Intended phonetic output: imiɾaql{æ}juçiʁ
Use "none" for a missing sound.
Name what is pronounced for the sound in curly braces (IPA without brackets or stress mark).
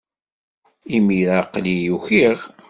i